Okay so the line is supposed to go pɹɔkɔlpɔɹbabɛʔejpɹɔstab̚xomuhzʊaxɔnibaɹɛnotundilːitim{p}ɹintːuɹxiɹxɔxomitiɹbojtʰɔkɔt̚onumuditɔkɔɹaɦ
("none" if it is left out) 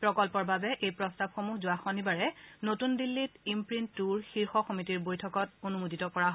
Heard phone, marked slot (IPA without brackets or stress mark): p